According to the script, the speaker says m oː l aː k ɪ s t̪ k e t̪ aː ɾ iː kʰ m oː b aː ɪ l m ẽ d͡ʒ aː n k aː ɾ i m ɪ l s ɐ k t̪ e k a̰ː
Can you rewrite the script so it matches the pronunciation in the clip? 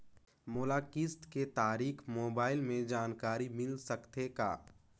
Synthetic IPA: m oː l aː k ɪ s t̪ k e t̪ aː ɾ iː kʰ m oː b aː ɪ l m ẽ d͡ʒ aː n k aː ɾ i m ɪ l s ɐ k t̪ e k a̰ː